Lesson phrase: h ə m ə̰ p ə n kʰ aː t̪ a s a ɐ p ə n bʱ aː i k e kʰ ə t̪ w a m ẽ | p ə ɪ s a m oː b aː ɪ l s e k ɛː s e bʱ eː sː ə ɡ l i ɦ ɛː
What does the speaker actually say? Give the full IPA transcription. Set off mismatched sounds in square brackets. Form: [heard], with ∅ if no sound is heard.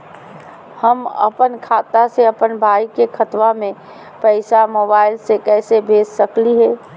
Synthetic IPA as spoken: h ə m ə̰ p ə n kʰ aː t̪ a s [e] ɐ p ə n bʱ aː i k e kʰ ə t̪ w a m ẽ | p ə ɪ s a m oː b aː ɪ l s e k ɛː s e bʱ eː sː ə [k] l i ɦ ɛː